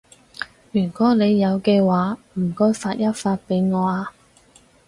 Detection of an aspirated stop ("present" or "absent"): absent